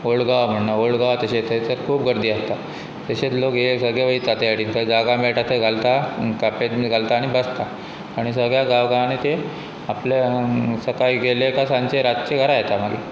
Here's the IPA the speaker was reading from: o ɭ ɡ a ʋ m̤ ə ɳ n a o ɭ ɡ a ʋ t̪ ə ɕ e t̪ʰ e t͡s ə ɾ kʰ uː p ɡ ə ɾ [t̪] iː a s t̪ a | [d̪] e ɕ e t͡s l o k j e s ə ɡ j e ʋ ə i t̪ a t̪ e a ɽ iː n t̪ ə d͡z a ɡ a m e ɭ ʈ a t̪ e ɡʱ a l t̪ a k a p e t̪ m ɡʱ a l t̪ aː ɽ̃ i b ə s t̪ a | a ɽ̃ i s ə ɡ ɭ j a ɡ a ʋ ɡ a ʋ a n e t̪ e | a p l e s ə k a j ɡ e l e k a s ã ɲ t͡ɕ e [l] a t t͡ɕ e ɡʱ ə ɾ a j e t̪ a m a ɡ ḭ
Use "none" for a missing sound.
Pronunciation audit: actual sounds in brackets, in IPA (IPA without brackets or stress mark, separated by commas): d̪, t̪, ɾ